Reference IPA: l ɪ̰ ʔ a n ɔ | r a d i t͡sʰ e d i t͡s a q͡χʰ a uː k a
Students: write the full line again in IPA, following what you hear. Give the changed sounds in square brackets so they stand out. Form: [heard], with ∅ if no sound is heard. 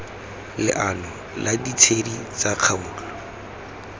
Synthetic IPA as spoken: l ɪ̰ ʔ a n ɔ | [l] a d i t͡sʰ e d i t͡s a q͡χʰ a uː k a